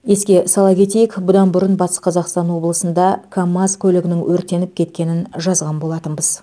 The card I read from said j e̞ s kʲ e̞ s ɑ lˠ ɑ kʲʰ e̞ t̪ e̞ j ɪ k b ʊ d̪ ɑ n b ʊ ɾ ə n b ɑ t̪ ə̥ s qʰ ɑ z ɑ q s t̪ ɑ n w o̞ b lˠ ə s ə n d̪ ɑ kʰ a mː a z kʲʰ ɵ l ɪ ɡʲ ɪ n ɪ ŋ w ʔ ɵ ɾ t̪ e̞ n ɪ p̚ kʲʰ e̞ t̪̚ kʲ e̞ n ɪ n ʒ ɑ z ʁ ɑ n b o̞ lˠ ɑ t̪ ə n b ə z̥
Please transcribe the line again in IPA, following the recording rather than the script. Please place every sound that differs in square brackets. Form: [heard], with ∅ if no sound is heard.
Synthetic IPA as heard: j e̞ s kʲ e̞ s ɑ lˠ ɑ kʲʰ e̞ t̪ e̞ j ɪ k b ʊ d̪ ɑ n b ʊ ɾ ə n b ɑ t̪ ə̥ s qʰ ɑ z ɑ q s t̪ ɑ n w o̞ b lˠ ə s ə n d̪ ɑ kʰ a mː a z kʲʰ ɵ l ɪ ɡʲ ɪ n ɪ ŋ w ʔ ɵ ɾ t̪ e̞ n ɪ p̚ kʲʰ e̞ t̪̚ kʲ e̞ n ɪ n ʒ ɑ z ʁ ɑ n b o̞ lˠ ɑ t̪ ə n b ə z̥